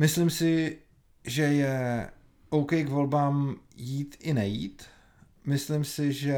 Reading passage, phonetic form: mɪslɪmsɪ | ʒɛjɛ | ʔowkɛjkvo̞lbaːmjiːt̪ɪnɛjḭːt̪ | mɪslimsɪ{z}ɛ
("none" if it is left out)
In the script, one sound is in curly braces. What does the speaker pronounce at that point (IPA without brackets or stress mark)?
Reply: ʒ